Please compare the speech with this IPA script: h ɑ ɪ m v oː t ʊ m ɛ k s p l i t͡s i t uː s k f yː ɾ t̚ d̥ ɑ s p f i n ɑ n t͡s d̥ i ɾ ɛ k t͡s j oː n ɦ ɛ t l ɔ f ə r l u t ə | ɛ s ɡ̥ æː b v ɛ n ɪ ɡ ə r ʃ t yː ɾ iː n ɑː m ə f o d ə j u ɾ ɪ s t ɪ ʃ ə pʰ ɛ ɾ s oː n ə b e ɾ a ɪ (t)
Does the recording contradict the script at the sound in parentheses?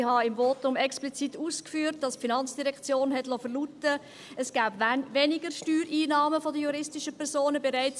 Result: yes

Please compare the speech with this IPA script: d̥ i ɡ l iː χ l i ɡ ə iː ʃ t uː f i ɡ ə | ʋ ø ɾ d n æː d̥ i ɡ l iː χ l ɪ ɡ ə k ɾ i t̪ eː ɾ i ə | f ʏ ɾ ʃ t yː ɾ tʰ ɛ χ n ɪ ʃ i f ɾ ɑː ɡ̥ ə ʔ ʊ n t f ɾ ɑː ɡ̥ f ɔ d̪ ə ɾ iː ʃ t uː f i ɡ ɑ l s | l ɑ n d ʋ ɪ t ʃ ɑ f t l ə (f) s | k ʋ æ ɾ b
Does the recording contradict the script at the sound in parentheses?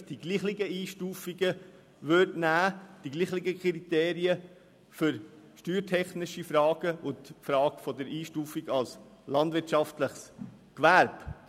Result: yes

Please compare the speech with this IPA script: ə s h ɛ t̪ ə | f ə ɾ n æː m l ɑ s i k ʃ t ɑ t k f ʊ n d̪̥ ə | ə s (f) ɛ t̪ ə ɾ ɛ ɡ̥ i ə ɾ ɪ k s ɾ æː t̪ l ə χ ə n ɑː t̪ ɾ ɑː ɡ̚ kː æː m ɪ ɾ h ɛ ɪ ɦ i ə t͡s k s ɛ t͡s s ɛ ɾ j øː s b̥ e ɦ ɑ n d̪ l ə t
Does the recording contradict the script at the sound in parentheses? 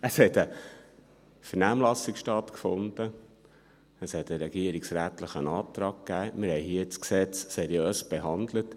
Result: yes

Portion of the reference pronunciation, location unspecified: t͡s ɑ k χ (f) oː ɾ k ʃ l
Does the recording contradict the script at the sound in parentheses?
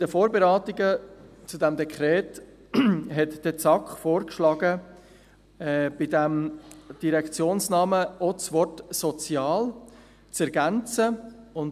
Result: no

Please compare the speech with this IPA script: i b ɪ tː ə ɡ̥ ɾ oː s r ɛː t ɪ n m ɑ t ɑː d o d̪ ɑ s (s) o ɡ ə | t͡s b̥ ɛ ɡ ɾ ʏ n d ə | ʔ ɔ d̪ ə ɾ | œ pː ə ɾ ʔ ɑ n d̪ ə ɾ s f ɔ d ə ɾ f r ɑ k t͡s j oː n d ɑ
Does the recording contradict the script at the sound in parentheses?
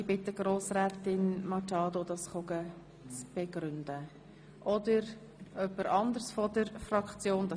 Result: yes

